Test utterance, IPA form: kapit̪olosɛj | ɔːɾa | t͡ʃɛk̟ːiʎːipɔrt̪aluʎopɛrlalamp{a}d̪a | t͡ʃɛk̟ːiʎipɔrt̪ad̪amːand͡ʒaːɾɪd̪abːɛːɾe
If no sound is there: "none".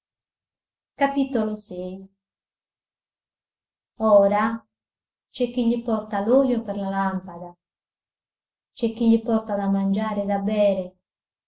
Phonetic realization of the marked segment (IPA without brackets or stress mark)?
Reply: a